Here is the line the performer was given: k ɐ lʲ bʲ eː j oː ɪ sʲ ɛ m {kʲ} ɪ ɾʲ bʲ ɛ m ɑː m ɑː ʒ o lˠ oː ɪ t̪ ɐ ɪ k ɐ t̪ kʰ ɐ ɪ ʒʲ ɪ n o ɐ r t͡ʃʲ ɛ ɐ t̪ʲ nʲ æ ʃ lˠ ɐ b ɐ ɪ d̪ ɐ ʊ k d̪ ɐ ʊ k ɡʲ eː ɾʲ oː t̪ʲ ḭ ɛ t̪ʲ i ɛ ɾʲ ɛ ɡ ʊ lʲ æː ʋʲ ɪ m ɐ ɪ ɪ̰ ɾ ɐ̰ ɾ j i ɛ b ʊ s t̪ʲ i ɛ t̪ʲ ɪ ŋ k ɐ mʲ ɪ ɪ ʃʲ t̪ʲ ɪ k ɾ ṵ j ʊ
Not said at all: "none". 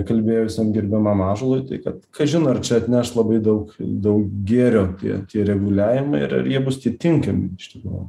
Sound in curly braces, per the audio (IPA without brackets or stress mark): ɡʲ